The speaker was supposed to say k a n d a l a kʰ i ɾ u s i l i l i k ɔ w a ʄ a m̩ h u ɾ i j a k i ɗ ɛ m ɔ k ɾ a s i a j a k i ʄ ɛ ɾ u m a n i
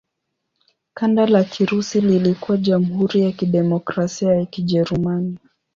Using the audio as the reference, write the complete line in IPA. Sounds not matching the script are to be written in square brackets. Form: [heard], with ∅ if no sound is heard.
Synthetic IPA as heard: k a n d a l a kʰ i ɾ u s i l i l i k [u] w a ʄ a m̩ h u ɾ i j a k i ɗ ɛ m ɔ k ɾ a s i a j a k i ʄ ɛ ɾ u m a n i